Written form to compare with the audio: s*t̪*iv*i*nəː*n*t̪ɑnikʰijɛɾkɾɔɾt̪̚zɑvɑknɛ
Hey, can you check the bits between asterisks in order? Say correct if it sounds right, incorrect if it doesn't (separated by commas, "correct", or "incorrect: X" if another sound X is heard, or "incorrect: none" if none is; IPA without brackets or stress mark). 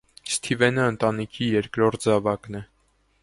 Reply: incorrect: t̪ʰ, incorrect: ɛ, correct